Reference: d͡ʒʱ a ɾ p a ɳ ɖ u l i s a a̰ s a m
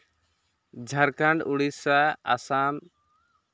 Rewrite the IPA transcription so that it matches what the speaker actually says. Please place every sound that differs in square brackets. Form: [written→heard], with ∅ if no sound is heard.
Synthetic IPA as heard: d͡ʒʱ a ɾ [p→k] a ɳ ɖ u [l→ɽ] i s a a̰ s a m